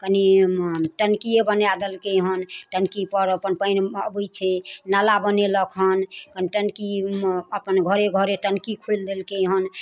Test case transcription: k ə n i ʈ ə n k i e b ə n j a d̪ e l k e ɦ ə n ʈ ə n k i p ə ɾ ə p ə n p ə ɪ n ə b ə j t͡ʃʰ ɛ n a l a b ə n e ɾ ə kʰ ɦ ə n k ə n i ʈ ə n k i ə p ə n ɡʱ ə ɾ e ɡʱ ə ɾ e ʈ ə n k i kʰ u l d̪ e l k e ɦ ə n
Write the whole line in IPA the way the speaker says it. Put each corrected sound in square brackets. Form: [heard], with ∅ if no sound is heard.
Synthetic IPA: k ə n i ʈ ə n k i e b ə n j a d̪ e l k e ɦ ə n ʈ ə n k i p ə ɾ ə p ə n p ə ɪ n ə b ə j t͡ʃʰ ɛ n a l a b ə n e [l] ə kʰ ɦ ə n k ə n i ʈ ə n k i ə p ə n ɡʱ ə ɾ e ɡʱ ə ɾ e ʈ ə n k i kʰ u l d̪ e l k e ɦ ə n